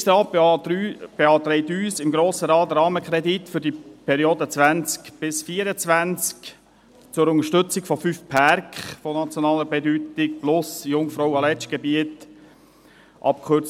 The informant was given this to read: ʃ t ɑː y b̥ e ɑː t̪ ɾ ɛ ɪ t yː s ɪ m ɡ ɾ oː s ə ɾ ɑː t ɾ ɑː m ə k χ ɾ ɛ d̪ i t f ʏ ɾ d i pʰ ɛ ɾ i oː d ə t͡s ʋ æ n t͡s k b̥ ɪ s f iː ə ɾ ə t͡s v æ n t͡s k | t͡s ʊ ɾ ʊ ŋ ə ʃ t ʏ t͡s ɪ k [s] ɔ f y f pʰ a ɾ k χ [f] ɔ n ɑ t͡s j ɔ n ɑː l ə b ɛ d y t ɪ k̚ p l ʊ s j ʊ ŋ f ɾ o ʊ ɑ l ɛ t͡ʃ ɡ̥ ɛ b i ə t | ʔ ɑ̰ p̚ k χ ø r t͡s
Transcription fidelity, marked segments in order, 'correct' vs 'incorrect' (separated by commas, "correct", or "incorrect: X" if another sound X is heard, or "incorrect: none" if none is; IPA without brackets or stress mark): incorrect: f, correct